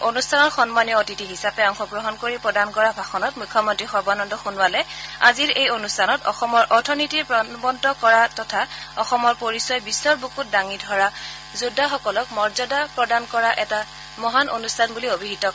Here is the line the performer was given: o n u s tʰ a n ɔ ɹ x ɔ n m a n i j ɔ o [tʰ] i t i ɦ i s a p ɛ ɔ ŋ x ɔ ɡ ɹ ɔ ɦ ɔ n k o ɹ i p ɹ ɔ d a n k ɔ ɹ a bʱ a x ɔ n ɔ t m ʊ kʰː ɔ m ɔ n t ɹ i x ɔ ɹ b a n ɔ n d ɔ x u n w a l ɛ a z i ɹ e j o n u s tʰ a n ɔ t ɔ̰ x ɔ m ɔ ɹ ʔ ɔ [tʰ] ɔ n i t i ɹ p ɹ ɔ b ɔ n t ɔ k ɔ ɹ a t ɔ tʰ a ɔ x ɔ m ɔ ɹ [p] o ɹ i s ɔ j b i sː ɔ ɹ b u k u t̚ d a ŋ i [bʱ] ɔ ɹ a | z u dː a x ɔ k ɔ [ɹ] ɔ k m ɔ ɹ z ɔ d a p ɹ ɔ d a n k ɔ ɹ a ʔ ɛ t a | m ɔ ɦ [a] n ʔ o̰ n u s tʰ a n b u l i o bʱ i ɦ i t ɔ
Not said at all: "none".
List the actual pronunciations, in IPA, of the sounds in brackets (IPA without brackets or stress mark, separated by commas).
t, tʰ, p, dʱ, l, a